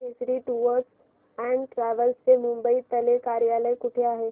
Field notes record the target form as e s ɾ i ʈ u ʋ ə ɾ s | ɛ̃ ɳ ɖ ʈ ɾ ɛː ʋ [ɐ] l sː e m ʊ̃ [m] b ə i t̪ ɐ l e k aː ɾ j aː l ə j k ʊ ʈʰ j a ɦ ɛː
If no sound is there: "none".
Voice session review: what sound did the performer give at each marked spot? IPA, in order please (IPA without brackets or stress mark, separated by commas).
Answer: ə, m